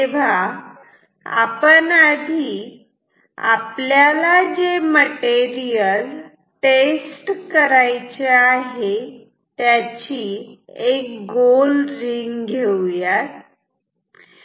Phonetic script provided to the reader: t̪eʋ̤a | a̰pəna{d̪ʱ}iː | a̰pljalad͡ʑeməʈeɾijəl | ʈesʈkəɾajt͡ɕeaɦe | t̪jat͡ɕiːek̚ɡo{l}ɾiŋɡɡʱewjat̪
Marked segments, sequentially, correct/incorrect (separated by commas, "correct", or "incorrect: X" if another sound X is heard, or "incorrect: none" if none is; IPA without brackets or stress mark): correct, correct